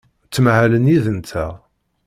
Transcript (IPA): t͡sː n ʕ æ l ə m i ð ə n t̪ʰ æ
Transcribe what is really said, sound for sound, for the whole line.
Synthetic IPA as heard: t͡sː m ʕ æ l ə n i ð ə n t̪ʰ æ